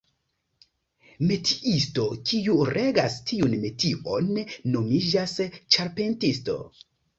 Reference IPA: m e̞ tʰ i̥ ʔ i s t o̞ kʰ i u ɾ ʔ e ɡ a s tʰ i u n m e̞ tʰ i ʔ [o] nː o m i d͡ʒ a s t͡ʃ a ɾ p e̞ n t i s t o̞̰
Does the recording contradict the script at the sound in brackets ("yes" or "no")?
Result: no